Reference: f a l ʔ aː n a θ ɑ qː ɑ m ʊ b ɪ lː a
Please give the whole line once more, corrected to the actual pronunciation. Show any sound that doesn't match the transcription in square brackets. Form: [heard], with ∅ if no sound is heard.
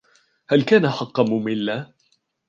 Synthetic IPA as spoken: [h] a l [k] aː n a [ħ] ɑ qː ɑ m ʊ [m] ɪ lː a